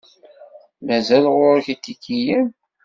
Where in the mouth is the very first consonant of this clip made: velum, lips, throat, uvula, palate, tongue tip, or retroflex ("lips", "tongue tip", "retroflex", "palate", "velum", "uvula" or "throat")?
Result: lips